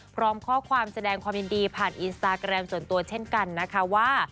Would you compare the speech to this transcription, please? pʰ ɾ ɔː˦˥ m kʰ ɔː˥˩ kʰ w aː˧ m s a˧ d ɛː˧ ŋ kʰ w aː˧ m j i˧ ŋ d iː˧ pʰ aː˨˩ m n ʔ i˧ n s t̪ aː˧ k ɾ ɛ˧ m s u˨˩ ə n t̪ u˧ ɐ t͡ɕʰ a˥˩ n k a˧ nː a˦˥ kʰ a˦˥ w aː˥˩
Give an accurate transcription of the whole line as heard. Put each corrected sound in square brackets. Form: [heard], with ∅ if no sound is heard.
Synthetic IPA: pʰ ɾ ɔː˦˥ m kʰ ɔː˥˩ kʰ w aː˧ m s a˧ d ɛː˧ ŋ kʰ w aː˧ m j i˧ [n] d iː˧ pʰ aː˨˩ [∅] n ʔ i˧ n s t̪ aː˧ k ɾ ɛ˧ m s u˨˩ ə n t̪ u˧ ɐ t͡ɕʰ [e˥˩] n k a˧ nː a˦˥ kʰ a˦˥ w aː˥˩